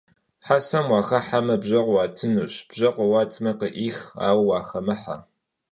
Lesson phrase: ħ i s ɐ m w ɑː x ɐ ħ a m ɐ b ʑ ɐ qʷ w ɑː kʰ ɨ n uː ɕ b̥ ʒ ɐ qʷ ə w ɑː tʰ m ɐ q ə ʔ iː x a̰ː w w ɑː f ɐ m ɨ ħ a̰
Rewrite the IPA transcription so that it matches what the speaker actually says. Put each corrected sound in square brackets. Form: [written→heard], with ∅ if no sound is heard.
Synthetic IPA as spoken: ħ [i→a] s ɐ m w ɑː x ɐ ħ a m ɐ b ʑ ɐ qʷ w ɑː [kʰ→tʰ] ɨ n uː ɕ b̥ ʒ ɐ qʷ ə w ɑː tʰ m ɐ q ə ʔ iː x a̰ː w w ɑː [f→x] ɐ m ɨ ħ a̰